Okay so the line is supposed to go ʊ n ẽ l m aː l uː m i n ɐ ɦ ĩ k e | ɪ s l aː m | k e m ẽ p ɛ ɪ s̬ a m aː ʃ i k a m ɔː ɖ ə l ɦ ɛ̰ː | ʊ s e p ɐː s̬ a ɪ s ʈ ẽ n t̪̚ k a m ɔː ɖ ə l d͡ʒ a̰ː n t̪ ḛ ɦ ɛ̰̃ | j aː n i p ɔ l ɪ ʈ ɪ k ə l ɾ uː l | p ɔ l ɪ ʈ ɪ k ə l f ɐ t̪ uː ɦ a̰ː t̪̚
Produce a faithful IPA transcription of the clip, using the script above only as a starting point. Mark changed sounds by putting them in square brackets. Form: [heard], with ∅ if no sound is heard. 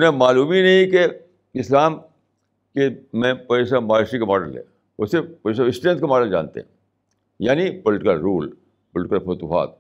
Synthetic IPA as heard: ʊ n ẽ [∅] m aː l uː m i n ɐ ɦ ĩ k e | ɪ s l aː m | k e m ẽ p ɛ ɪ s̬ a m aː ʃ i k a m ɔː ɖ ə l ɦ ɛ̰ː | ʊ s e p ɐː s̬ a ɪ s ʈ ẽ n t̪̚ k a m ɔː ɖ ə l d͡ʒ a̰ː n t̪ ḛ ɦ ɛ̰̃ | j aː n i p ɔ l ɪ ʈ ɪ k ə l ɾ uː l | p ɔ l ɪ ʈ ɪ k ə l f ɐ t̪ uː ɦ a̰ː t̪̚